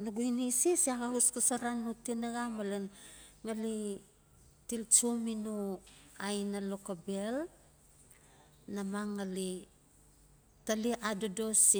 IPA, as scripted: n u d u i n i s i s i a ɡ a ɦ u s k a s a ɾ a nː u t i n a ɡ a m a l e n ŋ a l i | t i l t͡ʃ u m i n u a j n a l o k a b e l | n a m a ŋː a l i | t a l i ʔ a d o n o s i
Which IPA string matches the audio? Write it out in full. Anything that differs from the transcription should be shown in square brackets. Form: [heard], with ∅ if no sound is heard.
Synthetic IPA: n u [ɡ] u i n i s i s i a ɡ a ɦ u s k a s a ɾ a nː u t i n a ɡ a m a l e n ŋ a l i | t i l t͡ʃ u m i n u a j n a l o k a b e l | n a m a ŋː a l i | t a l i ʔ a d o [d] o s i